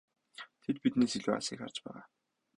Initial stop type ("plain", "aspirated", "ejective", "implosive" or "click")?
aspirated